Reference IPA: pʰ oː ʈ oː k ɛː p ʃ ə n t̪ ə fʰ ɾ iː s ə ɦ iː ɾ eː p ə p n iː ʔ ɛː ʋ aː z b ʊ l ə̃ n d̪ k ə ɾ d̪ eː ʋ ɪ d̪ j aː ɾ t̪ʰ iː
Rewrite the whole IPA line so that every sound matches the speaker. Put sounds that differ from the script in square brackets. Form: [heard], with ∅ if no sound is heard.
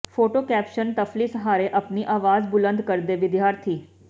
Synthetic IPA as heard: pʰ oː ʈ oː k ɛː p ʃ ə n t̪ ə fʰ [l] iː s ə ɦ [aː] ɾ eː [ʔ] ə p n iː ʔ [aː] ʋ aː z b ʊ l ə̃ n d̪ k ə ɾ d̪ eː ʋ ɪ d̪ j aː ɾ t̪ʰ iː